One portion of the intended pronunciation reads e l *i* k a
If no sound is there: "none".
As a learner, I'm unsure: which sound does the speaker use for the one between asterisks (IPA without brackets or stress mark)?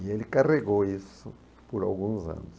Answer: i